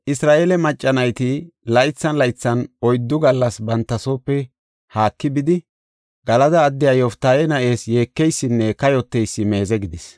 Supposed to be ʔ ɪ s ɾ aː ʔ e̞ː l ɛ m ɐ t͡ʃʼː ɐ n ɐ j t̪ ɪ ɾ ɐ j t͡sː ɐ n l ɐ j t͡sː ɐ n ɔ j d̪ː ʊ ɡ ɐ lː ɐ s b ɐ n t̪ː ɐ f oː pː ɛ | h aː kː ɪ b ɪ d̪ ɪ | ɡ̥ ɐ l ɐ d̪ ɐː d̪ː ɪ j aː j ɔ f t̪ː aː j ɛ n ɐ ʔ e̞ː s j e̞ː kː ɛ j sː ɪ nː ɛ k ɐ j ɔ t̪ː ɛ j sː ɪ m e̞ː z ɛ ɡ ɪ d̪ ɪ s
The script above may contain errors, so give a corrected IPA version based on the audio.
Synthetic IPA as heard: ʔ ɪ s ɾ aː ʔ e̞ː l ɛ m ɐ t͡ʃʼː ɐ n ɐ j t̪ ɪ l ɐ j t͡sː ɐ n l ɐ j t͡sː ɐ n ɔ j d̪ː ʊ ɡ ɐ lː ɐ s b ɐ n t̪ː ɐ s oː pː ɛ | h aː kː ɪ b ɪ d̪ ɪ | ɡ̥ ɐ l ɐ d̪ ɐː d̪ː ɪ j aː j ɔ f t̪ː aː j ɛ n ɐ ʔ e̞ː s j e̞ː kː ɛ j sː ɪ nː ɛ k ɐ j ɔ t̪ː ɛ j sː ɪ m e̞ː z ɛ ɡ ɪ d̪ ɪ s